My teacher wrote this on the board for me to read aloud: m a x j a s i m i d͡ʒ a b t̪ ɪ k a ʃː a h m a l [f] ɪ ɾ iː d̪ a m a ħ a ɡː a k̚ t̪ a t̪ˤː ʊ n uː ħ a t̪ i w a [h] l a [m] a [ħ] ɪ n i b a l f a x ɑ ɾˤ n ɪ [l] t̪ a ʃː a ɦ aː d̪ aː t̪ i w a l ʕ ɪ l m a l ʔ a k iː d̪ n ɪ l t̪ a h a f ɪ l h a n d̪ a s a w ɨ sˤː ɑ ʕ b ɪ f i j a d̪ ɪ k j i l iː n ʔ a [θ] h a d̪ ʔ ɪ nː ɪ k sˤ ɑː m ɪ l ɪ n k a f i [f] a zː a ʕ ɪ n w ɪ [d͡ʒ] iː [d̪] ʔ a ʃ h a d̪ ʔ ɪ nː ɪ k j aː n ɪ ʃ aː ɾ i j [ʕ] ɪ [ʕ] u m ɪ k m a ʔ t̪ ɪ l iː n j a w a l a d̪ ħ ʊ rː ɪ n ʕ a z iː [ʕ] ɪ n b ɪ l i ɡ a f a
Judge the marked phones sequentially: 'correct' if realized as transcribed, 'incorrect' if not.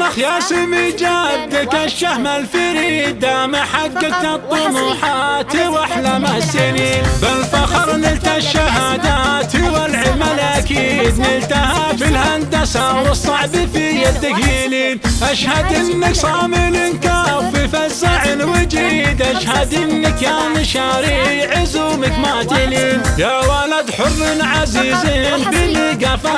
correct, incorrect, correct, incorrect, correct, incorrect, correct, correct, correct, correct, incorrect, incorrect

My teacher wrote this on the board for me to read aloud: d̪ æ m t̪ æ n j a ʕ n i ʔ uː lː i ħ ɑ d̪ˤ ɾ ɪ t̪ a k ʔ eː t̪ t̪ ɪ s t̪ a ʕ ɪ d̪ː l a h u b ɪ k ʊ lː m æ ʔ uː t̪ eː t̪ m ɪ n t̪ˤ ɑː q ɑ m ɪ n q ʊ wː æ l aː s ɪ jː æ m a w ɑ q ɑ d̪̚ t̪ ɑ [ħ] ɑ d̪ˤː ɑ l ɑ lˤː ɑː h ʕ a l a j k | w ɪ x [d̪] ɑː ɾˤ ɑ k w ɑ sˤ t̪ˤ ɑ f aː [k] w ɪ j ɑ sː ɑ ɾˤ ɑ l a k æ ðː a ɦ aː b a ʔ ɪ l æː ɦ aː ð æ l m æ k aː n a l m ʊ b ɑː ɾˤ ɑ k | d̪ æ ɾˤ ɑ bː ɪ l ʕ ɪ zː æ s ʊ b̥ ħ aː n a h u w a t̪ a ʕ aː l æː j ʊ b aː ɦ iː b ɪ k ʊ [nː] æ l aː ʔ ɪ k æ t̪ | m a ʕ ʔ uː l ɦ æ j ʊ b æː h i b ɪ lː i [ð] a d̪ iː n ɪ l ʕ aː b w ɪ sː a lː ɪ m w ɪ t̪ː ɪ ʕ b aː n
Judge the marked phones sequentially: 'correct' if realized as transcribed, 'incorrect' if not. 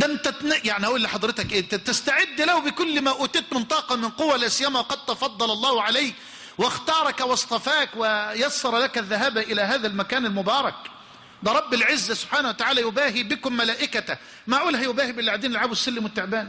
incorrect, incorrect, correct, incorrect, incorrect

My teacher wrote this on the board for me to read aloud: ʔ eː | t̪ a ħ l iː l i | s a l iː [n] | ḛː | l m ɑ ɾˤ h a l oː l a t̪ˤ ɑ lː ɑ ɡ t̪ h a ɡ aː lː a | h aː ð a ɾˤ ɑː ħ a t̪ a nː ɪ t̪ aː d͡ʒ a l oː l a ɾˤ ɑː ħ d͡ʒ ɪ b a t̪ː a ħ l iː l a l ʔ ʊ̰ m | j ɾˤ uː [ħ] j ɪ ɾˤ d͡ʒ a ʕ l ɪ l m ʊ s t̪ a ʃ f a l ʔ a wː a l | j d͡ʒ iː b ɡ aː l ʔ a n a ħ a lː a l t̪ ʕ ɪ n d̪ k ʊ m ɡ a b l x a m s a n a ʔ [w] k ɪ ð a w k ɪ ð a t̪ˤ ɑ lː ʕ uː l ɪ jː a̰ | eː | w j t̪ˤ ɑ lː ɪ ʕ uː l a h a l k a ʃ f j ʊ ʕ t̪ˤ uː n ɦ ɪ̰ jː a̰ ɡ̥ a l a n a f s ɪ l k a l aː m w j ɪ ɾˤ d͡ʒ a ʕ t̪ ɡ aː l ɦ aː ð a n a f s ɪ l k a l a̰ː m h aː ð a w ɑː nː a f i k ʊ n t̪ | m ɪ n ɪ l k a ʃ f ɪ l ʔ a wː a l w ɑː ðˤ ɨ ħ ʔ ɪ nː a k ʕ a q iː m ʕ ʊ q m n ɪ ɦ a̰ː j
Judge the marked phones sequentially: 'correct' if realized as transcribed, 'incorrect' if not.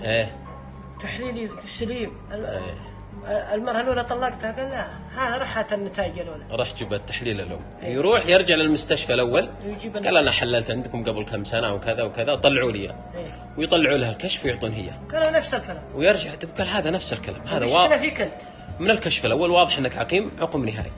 incorrect, correct, correct

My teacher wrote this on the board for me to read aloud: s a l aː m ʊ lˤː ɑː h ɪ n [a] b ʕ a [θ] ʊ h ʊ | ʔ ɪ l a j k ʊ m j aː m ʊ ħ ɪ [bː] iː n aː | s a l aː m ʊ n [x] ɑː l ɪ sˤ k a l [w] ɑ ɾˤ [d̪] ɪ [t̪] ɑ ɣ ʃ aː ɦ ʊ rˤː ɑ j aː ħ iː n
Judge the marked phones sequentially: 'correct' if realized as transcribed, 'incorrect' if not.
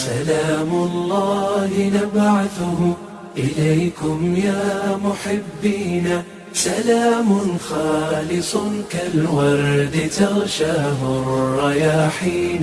correct, correct, correct, correct, correct, correct, correct

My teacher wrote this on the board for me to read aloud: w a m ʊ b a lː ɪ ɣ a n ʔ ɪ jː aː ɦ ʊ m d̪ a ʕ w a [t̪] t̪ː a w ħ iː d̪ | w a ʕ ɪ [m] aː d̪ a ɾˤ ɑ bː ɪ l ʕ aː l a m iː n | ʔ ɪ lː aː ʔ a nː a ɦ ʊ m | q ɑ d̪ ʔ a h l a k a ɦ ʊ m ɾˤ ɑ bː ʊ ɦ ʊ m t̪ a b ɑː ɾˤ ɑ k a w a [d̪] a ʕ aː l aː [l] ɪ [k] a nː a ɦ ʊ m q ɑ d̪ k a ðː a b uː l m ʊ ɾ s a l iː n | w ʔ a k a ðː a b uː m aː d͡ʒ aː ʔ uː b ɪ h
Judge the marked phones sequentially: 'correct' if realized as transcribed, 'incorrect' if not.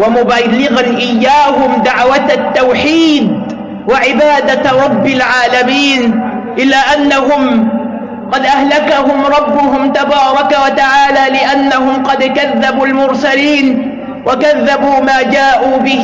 correct, incorrect, incorrect, correct, incorrect

